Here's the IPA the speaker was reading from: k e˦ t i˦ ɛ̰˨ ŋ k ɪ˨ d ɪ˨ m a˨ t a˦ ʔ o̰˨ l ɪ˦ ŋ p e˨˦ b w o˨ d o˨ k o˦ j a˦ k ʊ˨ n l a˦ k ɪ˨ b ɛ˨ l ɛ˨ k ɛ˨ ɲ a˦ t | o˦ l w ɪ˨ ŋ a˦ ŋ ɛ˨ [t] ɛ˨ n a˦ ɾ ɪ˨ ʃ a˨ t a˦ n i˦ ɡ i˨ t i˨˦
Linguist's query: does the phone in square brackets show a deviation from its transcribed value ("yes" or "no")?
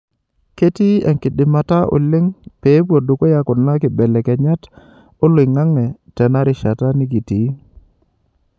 no